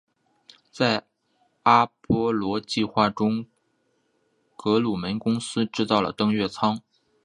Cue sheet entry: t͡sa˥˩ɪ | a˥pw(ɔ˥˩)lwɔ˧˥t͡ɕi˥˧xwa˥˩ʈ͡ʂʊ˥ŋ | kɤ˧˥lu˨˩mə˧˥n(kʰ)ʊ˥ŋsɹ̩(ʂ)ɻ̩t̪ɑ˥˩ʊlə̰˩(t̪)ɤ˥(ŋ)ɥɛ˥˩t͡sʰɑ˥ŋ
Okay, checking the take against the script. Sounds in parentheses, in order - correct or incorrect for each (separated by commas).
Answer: incorrect, incorrect, incorrect, correct, correct